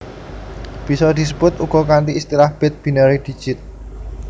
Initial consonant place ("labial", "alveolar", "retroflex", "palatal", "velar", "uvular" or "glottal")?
labial